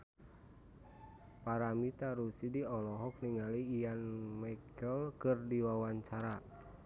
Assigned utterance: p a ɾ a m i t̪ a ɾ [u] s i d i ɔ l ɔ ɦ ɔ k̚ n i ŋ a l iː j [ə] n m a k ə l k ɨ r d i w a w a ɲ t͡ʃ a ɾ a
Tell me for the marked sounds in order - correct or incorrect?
correct, incorrect

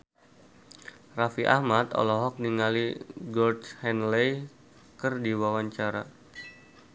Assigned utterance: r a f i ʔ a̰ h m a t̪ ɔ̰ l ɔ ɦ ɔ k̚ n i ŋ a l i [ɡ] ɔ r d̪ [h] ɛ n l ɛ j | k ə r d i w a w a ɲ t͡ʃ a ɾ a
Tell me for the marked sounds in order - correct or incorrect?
correct, correct

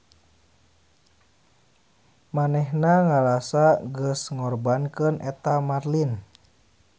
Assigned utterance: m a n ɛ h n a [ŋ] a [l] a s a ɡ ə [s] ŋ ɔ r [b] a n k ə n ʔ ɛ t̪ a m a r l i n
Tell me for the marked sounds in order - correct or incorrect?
correct, correct, correct, correct

